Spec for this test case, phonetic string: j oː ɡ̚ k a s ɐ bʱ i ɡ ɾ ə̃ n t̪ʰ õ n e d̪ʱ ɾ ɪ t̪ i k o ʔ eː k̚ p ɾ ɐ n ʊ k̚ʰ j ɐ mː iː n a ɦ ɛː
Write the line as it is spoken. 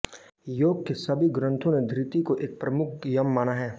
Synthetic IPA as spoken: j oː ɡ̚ k e s ɐ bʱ i ɡ ɾ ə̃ n t̪ʰ õ n e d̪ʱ ɾ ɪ t̪ i k o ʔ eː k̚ p ɾ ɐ m ʊ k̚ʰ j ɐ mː aː n a ɦ ɛː

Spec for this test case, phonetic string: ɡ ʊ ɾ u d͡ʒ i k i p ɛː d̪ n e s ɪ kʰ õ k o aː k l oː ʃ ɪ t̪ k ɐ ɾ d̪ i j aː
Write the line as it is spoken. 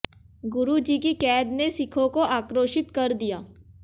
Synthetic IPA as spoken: ɡ ʊ ɾ u d͡ʒ i k i k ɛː d̪ n e s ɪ kʰ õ k o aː k ɾ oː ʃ ɪ t̪ k ɐ ɾ d̪ i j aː

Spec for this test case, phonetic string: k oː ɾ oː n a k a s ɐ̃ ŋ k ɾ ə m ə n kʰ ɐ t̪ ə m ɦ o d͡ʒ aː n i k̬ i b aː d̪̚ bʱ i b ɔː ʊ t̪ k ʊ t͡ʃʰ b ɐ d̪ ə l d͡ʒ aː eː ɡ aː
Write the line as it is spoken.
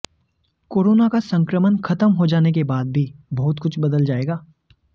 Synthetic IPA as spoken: k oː ɾ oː n a k a s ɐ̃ ŋ k ɾ ə m ə n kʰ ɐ t̪ ə m ɦ o d͡ʒ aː n e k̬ e b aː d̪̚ bʱ i b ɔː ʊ t̪ k ʊ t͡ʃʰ b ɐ d̪ ə l d͡ʒ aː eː ɡ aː

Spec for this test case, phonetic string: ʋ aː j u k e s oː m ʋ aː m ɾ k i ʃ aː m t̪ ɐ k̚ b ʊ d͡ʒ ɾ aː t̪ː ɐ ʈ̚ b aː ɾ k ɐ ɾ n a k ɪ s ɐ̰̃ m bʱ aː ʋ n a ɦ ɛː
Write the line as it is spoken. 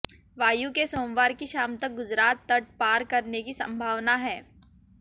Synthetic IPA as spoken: ʋ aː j u k e s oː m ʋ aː ɾ k i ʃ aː m t̪ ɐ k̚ ɡ ʊ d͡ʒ ɾ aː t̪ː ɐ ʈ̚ p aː ɾ k ɐ ɾ n e k i s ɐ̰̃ m bʱ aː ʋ n a ɦ ɛː

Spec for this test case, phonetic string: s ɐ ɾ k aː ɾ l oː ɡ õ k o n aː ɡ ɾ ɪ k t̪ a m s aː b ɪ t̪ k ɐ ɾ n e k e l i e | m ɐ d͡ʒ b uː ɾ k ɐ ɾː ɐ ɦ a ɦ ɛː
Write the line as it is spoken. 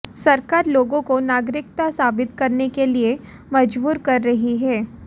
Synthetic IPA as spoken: s ɐ ɾ k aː ɾ l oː ɡ õ k o n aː ɡ ɾ ɪ k t̪ a s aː b ɪ t̪ k ɐ ɾ n e k e l i e | m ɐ d͡ʒ b uː ɾ k ɐ ɾː ɐ ɦ i ɦ ɛː

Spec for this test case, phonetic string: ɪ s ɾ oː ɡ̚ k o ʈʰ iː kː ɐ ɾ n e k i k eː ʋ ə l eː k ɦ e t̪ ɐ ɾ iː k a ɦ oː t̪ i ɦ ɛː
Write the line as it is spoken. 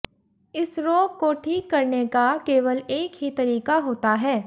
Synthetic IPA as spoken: ɪ s ɾ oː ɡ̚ k o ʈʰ iː kː ɐ ɾ n e k a k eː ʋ ə l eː k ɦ i t̪ ɐ ɾ iː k a ɦ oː t̪ a ɦ ɛː

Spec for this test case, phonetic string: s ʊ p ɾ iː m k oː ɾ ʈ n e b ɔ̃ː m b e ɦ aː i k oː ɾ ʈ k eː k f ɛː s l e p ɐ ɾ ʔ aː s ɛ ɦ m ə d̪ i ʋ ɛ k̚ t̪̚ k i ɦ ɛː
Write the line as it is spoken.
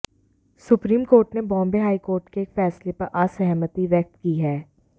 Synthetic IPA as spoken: s ʊ p ɾ iː m k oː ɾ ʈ n e b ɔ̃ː m b e ɦ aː i k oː ɾ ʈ k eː k f ɛː s l e p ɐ ɾ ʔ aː s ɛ ɦ m ə t̪ i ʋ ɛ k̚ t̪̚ k i ɦ ɛː

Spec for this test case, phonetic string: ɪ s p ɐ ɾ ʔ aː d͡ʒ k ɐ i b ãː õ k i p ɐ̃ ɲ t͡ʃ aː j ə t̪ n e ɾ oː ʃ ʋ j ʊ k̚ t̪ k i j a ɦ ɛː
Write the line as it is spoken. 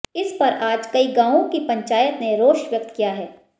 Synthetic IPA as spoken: ɪ s p ɐ ɾ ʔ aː d͡ʒ k ɐ i ɡ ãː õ k i p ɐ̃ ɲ t͡ʃ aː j ə t̪ n e ɾ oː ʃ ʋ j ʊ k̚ t̪ k i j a ɦ ɛː

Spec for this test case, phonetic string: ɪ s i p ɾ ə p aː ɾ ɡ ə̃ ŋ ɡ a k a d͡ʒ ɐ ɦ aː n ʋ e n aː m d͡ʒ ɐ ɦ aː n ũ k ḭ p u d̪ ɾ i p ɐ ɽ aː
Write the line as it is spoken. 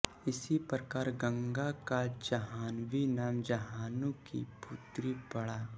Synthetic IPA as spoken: ɪ s i p ɾ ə k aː ɾ ɡ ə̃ ŋ ɡ a k a d͡ʒ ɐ ɦ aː n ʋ i n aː m d͡ʒ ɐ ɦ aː n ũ k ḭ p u t̪ ɾ i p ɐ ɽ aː

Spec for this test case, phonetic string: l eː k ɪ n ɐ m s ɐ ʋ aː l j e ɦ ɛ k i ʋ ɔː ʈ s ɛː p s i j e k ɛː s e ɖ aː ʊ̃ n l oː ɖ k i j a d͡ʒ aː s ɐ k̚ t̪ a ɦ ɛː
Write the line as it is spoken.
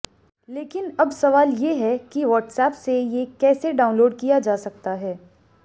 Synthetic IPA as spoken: l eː k ɪ n ɐ b s ɐ ʋ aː l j e ɦ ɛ k i ʋ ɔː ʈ s ɛː p s e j e k ɛː s e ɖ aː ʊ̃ n l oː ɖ k i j a d͡ʒ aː s ɐ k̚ t̪ a ɦ ɛː

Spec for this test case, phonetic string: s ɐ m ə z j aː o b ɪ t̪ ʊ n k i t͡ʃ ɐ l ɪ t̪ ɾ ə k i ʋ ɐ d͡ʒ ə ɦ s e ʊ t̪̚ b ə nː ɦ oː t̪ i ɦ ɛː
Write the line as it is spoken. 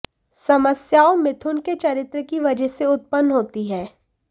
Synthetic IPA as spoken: s ɐ m ə s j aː o m ɪ t̪ʰ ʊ n k e t͡ʃ ɐ ɾ ɪ t̪ ɾ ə k i ʋ ɐ d͡ʒ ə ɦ s e ʊ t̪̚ p ə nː ɦ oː t̪ i ɦ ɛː

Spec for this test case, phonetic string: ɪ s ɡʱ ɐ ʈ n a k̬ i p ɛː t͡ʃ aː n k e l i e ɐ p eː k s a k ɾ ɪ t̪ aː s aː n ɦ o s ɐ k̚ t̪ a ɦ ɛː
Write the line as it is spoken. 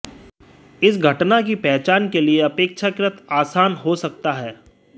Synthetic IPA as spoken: ɪ s ɡʱ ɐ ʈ n a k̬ i p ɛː t͡ʃ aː n k e l i e ɐ p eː k ʃ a k ɾ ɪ t̪ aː s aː n ɦ o s ɐ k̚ t̪ a ɦ ɛː

